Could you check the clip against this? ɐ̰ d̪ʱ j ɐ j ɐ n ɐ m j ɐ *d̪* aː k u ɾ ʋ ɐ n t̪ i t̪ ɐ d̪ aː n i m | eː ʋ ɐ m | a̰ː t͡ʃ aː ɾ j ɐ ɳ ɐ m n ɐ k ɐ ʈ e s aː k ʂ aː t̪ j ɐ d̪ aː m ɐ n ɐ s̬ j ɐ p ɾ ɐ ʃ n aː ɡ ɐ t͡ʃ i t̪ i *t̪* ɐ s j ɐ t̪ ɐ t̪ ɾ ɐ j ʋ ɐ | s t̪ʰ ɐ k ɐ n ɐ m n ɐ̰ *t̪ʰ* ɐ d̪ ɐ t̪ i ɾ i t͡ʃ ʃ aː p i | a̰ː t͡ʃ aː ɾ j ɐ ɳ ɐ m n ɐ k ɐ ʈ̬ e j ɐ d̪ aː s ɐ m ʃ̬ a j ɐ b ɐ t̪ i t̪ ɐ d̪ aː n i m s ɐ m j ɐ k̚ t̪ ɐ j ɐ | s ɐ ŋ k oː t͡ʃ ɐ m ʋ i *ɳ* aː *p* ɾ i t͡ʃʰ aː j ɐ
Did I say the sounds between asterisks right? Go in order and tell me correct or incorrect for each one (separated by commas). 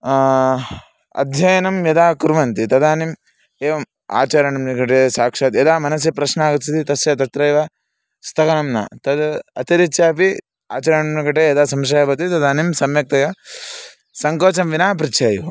correct, correct, incorrect, incorrect, correct